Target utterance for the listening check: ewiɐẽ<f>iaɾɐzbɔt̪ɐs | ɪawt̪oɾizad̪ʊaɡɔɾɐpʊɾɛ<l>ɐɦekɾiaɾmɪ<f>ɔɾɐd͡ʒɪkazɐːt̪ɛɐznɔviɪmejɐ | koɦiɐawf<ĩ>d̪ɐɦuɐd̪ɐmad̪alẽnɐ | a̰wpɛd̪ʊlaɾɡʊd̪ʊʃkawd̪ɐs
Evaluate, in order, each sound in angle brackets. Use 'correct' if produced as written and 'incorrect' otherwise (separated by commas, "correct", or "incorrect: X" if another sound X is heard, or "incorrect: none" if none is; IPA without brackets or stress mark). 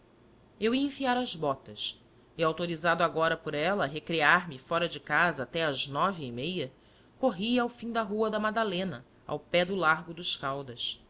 correct, correct, correct, correct